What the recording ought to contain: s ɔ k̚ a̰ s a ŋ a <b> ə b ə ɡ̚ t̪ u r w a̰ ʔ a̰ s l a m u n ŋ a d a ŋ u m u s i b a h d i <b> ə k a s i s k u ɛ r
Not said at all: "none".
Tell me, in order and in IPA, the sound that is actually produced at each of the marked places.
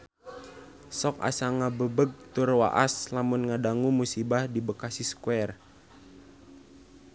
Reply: b, b

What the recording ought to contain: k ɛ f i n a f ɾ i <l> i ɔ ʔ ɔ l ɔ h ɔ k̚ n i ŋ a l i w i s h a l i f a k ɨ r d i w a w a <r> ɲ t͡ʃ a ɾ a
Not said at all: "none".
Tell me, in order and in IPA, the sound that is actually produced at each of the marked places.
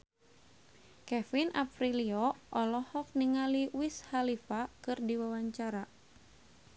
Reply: l, none

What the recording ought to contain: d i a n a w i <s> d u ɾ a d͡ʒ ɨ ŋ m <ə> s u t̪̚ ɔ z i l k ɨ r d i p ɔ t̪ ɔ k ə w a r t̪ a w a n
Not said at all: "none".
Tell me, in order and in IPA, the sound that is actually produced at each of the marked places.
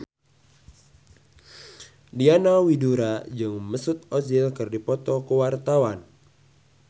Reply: none, ə

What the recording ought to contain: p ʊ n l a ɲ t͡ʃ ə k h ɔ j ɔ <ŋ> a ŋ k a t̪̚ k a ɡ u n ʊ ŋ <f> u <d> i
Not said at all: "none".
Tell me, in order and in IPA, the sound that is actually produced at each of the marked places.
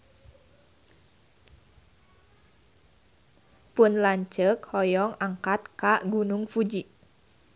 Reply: ŋ, f, d͡ʒ

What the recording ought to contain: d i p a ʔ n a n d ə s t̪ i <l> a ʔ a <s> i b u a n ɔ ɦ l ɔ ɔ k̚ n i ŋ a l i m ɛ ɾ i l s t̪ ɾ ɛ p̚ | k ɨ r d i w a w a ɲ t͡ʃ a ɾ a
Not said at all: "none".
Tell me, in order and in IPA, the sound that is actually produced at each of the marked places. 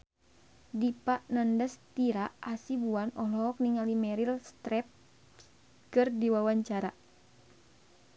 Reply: ɾ, s

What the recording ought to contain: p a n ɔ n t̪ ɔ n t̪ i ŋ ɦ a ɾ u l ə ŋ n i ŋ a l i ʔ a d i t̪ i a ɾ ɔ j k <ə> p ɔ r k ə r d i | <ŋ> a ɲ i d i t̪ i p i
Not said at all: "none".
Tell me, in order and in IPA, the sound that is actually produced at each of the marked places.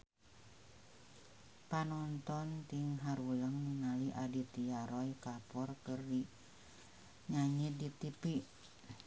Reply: a, ɲ

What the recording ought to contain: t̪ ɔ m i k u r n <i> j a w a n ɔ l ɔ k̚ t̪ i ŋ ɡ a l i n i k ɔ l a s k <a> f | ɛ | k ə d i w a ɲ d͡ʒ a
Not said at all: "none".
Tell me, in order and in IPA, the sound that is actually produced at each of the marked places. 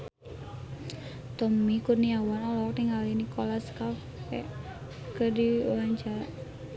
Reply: i, a

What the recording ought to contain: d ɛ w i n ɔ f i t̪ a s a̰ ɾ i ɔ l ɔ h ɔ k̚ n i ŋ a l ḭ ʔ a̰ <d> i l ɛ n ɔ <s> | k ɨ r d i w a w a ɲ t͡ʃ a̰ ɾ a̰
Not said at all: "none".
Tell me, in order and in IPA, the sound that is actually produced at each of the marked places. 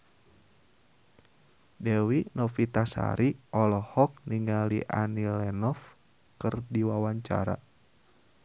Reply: n, f

